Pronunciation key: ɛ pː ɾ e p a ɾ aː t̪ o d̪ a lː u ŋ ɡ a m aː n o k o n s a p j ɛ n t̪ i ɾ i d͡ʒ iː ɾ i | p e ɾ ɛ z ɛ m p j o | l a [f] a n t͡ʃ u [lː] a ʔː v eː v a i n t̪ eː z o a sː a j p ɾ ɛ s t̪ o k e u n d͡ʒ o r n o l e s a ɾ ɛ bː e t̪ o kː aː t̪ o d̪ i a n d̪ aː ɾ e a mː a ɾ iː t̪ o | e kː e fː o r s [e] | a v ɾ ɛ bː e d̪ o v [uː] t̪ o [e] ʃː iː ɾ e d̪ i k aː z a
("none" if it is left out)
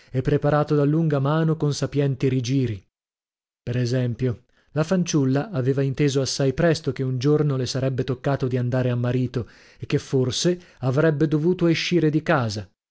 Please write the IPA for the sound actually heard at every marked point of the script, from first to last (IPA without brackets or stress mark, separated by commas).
f, lː, e, uː, e